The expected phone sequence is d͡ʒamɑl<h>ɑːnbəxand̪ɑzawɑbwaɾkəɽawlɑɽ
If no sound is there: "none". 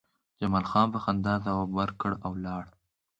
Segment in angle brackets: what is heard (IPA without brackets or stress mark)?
x